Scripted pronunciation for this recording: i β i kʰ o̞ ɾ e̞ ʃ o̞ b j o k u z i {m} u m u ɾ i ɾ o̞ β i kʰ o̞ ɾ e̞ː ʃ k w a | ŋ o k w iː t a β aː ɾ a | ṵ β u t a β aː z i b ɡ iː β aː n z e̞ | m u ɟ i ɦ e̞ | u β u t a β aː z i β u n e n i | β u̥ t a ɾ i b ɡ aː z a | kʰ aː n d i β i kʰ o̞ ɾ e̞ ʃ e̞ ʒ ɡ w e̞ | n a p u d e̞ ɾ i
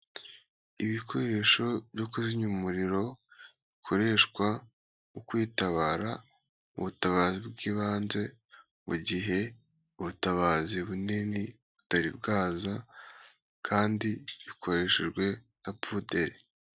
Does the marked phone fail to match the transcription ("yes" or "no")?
yes